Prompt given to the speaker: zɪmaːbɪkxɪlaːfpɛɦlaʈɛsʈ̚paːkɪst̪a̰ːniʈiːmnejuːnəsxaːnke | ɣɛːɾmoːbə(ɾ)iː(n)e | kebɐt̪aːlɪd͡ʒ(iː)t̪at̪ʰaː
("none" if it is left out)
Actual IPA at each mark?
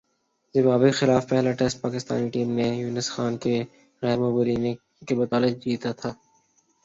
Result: ɾ, n, iː

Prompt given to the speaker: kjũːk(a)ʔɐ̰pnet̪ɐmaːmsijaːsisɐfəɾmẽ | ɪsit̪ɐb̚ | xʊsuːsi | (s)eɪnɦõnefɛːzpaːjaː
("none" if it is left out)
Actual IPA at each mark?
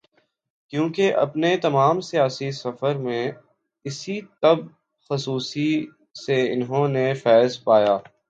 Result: e, s

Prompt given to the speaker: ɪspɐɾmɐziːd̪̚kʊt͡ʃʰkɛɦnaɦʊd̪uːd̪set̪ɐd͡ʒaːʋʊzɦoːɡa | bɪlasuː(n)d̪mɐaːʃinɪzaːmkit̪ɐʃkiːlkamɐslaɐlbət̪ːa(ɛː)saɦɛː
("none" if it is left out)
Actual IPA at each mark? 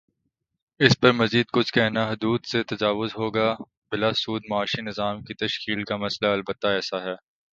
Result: none, ɛː

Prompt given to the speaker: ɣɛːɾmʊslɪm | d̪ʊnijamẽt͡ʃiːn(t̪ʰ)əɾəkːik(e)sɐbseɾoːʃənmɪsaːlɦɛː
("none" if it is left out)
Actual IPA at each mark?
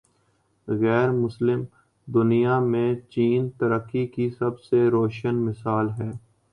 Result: t̪, i

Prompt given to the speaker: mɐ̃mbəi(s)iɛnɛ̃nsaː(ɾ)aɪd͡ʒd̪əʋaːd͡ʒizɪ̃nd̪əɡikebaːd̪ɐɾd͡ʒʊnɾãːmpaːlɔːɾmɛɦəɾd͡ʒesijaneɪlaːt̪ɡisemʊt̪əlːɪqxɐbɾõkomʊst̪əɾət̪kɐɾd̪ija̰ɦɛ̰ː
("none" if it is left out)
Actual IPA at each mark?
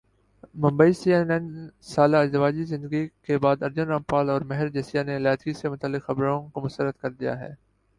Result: s, l

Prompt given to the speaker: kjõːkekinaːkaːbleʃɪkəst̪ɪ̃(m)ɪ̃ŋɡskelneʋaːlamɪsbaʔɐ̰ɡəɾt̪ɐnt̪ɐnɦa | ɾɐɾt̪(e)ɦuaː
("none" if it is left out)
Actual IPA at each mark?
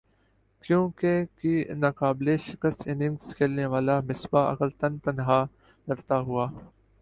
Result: n, a

